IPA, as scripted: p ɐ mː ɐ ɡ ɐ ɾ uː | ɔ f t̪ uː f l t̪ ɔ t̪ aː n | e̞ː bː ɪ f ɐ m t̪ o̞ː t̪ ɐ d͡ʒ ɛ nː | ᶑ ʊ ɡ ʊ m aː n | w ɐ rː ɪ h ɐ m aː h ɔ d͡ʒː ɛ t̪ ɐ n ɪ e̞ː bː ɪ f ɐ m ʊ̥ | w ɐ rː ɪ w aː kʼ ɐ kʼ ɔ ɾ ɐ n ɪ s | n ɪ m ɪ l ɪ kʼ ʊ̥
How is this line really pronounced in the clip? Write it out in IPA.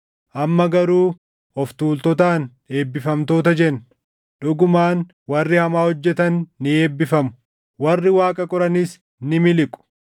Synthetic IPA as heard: ʔ ɐ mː ɐ ɡ ɐ ɾ uː | ɔ f t̪ uː l t̪ ɔ t̪ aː n | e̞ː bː ɪ f ɐ m t̪ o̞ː t̪ ɐ d͡ʒ ɛ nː | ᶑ ʊ ɡ ʊ m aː n | w ɐ rː ɪ h ɐ m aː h ɔ d͡ʒː ɛ t̪ ɐ nː ɪ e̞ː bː ɪ f ɐ m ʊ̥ | w ɐ rː ɪ w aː kʼ ɐ kʼ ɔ ɾ ɐ n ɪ s | n ɪ m ɪ l ɪ kʼ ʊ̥